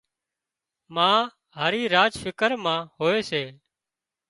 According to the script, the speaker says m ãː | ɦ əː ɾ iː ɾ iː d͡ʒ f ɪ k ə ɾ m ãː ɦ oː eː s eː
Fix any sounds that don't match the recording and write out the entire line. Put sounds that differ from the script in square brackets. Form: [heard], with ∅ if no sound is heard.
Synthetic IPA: m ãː | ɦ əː ɾ iː ɾ [aː] d͡ʒ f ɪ k ə ɾ m ãː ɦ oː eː s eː